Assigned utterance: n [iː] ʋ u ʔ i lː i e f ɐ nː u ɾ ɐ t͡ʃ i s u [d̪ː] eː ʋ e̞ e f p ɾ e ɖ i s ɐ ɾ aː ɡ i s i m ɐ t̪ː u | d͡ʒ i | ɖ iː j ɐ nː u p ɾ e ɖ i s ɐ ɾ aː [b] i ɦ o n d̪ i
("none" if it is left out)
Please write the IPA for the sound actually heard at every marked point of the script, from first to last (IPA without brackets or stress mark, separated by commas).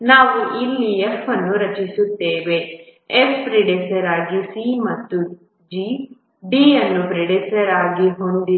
aː, t̪ː, ɡ